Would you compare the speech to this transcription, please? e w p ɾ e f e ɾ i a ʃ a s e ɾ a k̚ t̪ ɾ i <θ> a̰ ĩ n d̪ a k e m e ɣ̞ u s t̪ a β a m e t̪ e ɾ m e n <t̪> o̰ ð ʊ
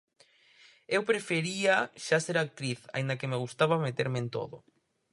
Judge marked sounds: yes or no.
yes, yes

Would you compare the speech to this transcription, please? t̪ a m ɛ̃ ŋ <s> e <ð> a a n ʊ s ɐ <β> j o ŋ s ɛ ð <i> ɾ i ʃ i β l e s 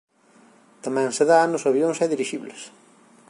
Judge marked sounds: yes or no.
yes, yes, yes, yes

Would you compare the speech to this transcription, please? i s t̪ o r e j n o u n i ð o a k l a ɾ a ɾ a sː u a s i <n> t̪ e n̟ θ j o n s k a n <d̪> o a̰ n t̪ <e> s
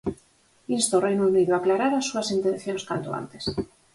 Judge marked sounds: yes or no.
yes, no, yes

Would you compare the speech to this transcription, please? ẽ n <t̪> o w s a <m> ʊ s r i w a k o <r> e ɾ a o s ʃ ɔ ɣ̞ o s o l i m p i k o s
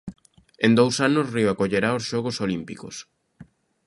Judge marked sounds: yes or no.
no, no, no

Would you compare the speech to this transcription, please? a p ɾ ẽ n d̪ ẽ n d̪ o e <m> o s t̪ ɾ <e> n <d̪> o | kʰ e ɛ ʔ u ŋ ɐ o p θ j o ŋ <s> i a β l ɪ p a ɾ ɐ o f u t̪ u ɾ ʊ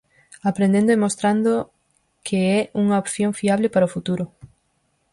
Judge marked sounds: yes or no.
yes, no, yes, no

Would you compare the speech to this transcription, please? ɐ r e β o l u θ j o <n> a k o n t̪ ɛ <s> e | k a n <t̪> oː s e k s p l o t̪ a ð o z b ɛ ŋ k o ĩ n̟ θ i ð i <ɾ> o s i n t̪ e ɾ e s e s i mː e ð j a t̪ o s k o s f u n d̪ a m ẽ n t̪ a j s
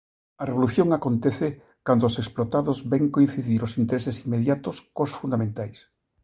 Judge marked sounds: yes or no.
no, no, no, yes

